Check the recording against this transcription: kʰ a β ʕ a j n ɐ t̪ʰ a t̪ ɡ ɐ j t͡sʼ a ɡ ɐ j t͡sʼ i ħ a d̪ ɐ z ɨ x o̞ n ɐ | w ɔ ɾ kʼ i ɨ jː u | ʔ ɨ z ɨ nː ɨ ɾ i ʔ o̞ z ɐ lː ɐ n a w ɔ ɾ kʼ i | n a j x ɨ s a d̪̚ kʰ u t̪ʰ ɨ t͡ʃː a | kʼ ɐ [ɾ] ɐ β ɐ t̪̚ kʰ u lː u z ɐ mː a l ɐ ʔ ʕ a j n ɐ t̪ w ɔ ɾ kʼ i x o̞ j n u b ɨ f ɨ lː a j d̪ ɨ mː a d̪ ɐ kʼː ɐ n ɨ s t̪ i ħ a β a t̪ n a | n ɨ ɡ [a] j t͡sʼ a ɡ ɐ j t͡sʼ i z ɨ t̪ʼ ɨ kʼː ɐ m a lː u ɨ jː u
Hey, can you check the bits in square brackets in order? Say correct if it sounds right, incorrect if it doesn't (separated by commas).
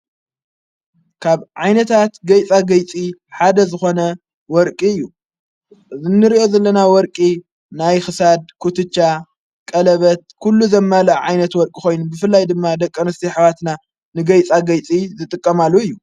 incorrect, incorrect